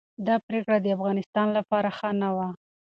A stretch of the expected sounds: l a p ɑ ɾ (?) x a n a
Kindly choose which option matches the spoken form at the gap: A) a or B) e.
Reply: A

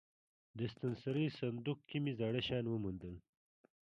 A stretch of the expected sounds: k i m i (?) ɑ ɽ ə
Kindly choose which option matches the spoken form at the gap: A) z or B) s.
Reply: A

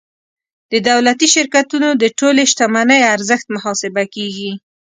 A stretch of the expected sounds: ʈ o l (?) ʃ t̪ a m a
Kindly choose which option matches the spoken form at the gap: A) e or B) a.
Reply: A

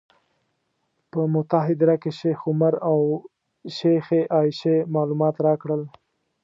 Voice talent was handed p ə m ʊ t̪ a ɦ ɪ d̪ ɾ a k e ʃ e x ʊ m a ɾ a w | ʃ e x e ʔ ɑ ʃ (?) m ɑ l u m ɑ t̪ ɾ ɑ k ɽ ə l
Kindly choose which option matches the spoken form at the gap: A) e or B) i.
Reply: A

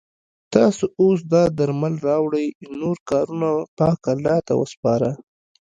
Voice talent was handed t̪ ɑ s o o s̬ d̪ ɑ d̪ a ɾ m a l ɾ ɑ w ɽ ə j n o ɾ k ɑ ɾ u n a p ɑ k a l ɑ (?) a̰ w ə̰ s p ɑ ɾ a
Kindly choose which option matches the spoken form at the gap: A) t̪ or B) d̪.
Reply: A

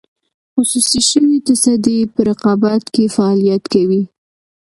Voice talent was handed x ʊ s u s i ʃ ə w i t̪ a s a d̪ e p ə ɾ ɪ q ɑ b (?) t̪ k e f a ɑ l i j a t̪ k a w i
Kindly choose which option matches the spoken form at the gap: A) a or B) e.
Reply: A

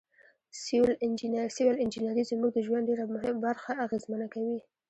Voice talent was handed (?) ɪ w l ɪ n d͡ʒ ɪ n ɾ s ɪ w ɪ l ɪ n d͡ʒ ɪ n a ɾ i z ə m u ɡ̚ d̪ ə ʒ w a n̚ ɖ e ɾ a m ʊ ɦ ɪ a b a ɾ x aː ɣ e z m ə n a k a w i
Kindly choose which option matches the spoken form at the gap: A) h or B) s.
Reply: B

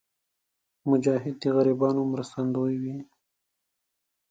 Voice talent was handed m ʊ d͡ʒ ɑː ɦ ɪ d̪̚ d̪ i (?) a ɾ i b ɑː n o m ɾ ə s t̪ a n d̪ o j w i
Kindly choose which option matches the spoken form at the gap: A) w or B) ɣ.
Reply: B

